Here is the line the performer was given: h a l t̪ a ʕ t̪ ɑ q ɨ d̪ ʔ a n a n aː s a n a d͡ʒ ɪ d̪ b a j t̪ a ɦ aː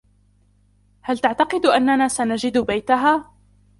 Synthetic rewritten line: h a l t̪ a ʕ t̪ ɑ q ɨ d̪ ʔ a nː a n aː s a n a d͡ʒ ɪ d̪ b a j t̪ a ɦ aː